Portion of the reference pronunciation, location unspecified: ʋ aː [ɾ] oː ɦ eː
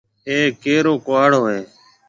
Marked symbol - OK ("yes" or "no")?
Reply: no